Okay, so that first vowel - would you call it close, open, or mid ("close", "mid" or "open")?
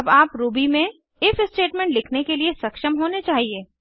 open